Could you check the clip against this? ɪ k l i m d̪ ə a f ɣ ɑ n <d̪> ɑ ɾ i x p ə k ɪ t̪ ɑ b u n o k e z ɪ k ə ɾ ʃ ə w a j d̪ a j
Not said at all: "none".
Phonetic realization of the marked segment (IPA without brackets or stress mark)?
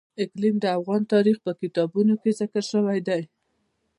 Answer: t̪